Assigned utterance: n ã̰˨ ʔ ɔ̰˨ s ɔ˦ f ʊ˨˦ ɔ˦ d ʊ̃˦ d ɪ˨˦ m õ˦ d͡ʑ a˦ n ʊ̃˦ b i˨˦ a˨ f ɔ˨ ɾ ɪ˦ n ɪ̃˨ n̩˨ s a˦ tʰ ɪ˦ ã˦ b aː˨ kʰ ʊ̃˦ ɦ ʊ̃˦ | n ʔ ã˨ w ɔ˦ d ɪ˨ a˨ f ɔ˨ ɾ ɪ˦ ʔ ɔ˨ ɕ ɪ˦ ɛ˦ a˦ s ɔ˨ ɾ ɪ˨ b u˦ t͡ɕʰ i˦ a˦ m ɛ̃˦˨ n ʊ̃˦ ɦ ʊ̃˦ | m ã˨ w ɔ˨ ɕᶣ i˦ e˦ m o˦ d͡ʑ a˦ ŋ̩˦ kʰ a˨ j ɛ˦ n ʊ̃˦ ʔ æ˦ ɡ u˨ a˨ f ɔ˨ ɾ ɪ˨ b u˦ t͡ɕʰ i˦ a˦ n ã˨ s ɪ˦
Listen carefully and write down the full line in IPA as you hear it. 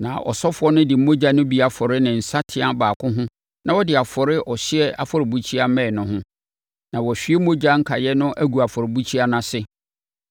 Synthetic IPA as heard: n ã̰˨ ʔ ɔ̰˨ s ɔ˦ f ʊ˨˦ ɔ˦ n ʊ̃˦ d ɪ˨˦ m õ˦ d͡ʑ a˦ n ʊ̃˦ b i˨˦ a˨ f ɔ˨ ɾ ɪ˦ n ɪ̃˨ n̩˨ s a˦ tʰ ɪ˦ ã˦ b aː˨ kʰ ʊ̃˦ ɦ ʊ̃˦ | n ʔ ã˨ w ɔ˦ d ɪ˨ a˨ f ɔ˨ ɾ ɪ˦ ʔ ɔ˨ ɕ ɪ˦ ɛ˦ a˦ f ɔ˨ ɾ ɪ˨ b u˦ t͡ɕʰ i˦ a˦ m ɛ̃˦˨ n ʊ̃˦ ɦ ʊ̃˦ | n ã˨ w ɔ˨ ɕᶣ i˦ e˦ m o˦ d͡ʑ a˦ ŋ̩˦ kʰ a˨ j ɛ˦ n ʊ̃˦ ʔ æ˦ ɡ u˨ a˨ f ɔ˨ ɾ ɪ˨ b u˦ t͡ɕʰ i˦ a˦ n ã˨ s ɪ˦